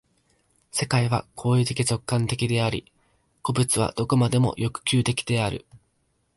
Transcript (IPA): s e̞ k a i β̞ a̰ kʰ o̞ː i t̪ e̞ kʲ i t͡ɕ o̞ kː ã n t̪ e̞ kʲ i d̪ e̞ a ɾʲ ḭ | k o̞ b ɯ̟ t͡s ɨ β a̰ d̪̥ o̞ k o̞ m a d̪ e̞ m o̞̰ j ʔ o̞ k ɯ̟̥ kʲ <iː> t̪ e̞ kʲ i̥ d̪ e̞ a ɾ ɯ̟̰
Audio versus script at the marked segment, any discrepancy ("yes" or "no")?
yes